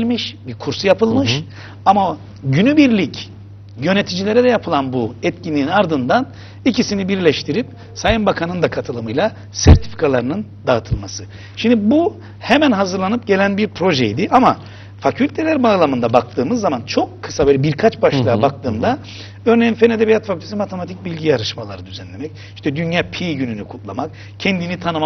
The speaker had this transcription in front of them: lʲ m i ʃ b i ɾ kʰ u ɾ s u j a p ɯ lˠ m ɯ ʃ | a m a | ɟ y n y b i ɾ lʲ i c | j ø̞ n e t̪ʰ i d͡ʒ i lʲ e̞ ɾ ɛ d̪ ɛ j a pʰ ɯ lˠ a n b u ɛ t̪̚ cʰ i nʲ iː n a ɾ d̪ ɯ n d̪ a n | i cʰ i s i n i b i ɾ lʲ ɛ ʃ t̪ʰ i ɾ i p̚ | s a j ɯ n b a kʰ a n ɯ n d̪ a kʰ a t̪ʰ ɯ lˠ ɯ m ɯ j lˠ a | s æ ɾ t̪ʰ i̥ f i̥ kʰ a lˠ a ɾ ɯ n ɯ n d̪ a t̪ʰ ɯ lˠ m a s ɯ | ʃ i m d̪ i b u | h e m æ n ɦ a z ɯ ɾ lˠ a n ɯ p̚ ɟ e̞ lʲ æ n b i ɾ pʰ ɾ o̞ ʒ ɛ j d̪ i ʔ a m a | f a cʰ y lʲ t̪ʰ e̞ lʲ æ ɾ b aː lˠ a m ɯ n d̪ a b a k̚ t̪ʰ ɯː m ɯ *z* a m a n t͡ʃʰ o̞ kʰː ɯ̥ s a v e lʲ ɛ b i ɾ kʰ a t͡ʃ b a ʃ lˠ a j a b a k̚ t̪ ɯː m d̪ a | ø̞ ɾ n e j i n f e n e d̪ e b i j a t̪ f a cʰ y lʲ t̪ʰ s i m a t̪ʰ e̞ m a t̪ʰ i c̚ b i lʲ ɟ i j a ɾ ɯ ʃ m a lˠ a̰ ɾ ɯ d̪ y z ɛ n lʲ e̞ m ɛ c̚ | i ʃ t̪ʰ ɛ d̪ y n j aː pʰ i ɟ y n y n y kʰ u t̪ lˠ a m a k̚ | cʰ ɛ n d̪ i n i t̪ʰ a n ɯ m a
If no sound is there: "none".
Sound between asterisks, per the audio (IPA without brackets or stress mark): zː